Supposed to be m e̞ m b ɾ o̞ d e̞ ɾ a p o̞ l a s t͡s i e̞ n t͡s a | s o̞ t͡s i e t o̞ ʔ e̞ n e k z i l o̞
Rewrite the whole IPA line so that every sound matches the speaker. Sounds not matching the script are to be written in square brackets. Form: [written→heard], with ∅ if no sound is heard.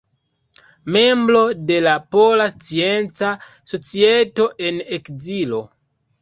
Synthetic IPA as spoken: m e̞ m b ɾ o̞ d e̞ [ɾ→l] a p o̞ l a s t͡s i e̞ n t͡s a | s o̞ t͡s i e t o̞ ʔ e̞ n e k z i l o̞